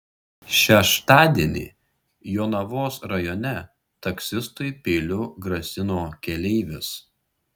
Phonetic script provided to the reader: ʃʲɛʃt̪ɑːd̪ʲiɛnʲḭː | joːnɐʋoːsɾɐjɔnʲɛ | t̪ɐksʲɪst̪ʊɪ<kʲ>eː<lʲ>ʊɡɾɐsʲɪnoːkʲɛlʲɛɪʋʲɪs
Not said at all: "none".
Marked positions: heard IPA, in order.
pʲ, lʲ

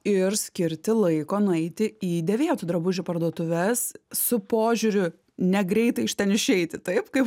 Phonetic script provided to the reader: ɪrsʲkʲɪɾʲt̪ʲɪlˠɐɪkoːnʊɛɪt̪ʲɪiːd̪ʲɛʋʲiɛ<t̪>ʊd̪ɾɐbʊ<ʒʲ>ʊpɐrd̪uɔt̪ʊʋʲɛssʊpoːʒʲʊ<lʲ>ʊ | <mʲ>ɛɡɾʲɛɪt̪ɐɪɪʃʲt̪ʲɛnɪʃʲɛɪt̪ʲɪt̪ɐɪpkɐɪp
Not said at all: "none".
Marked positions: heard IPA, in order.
t̪, ʒʲ, ɾʲ, nʲ

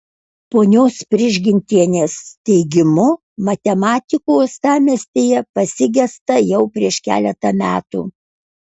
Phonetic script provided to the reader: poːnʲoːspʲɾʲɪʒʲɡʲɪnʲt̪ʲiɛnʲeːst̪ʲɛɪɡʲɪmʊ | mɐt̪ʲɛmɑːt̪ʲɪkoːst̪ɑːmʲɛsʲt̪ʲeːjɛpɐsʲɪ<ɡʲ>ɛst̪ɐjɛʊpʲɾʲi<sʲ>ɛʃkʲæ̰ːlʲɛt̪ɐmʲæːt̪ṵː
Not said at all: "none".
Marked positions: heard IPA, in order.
ɡʲ, none

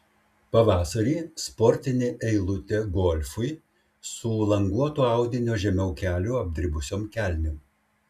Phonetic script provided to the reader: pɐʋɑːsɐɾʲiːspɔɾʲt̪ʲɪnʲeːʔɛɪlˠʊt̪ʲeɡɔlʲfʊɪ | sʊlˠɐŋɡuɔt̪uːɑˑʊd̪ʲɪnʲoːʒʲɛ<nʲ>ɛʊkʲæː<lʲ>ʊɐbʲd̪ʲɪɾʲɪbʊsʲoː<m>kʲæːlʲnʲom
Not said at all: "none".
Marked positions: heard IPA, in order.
mʲ, lʲ, m

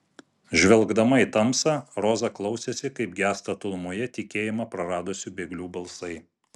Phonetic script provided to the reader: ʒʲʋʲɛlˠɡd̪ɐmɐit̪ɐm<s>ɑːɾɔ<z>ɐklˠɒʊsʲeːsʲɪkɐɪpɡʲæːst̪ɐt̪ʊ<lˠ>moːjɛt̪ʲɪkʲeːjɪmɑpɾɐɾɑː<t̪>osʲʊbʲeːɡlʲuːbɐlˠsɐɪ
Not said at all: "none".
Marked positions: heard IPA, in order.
s, z, lˠ, d̪

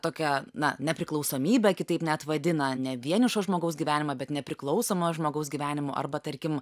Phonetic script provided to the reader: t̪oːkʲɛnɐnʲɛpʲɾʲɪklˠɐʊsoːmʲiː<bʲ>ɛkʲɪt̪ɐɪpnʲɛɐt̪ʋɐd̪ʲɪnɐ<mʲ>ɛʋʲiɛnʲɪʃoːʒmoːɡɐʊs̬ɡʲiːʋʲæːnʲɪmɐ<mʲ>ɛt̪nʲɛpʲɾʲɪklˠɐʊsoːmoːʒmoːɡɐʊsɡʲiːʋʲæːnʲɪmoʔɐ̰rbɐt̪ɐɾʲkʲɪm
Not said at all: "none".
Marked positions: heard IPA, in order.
bʲ, nʲ, bʲ

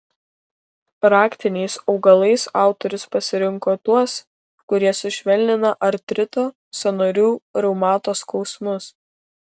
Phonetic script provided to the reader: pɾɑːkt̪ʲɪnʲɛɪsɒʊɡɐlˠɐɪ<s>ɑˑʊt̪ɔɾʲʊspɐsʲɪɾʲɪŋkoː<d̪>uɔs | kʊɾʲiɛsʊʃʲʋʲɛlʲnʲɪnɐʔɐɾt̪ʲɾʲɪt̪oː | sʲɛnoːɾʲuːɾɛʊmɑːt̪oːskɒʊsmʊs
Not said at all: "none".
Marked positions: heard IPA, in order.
s, t̪

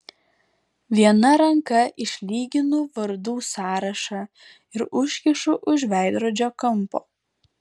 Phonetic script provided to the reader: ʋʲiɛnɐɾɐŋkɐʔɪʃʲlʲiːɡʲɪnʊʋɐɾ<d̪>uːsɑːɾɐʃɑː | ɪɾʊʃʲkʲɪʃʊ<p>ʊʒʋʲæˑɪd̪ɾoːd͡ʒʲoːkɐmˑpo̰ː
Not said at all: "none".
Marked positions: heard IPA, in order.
d̪, ʔ

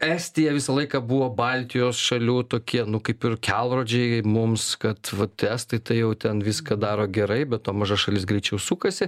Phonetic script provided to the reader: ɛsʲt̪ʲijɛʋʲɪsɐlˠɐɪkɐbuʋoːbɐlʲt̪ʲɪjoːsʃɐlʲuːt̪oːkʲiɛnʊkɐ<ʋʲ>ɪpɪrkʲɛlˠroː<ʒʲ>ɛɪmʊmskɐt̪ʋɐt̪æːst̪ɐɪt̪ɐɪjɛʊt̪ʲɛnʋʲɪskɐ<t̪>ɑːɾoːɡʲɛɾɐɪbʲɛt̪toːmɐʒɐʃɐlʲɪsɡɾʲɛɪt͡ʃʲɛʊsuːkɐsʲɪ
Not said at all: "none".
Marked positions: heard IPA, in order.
none, d͡ʒʲ, d̪

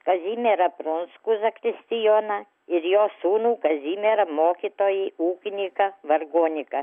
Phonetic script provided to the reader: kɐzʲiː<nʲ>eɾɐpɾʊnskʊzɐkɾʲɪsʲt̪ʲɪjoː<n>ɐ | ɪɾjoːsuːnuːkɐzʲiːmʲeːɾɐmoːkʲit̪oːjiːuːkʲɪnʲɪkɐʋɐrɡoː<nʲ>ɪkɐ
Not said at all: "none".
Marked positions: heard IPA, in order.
mʲ, n, nʲ

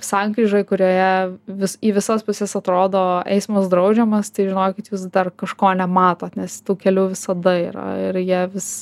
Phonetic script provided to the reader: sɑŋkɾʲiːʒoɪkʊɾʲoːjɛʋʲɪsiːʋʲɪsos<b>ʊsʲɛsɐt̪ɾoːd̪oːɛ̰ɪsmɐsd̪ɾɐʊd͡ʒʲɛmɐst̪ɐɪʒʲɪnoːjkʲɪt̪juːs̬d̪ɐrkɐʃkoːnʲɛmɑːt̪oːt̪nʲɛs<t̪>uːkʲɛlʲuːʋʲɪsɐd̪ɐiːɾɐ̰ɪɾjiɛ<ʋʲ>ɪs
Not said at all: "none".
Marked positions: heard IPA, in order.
p, t̪, ʋʲ

